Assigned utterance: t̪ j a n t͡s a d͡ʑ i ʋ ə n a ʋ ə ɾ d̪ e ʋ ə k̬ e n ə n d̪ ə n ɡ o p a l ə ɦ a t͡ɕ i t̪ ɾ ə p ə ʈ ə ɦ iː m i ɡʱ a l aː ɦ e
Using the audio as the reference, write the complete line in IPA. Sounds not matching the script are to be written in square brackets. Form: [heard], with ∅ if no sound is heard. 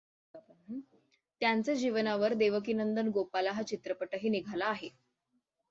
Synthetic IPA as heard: t̪ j a n t͡s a d͡ʑ i ʋ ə n a ʋ ə ɾ d̪ e ʋ ə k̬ [i] n ə n d̪ ə n ɡ o p a l [a] ɦ a t͡ɕ i t̪ ɾ ə p ə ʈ ə ɦ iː [n] i ɡʱ a l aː ɦ e